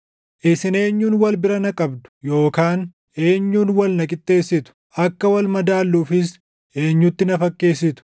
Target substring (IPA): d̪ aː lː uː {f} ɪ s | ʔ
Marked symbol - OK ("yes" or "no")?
yes